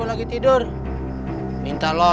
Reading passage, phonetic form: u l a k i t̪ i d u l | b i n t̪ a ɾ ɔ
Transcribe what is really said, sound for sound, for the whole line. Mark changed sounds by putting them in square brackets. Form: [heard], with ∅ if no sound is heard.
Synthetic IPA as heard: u l a [ɡ] i t̪ i d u [r] | [m] i n t̪ a [l] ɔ